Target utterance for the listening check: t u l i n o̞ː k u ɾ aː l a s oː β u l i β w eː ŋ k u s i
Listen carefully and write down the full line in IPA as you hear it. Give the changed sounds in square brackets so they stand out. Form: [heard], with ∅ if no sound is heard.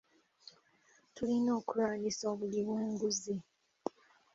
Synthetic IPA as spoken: t u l i n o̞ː k u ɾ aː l [i] s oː β u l i β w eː ŋ [ɡ] u [z] i